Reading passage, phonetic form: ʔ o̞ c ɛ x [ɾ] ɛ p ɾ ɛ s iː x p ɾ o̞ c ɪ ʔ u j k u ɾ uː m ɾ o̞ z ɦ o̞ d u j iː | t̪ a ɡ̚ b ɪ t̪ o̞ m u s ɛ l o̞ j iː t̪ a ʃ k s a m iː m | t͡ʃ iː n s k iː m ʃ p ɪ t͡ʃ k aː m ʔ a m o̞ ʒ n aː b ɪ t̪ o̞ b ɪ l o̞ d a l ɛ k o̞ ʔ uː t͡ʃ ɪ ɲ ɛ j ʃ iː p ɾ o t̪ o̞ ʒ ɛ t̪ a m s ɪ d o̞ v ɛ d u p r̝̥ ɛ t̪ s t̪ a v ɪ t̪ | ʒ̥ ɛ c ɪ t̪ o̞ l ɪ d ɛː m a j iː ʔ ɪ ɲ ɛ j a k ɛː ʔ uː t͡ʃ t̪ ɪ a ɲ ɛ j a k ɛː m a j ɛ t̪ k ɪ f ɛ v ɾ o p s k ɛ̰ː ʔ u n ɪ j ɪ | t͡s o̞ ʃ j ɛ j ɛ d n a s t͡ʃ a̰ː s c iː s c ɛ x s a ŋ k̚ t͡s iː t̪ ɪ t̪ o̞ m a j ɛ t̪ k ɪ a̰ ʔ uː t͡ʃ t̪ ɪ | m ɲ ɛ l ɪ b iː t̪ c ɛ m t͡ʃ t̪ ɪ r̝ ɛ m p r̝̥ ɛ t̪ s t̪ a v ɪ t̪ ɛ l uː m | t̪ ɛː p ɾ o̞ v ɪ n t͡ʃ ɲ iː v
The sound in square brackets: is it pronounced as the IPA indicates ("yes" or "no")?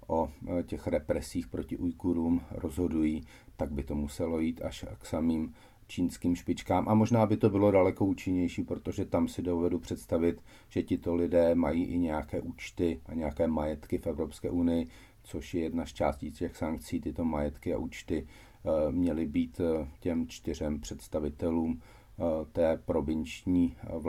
yes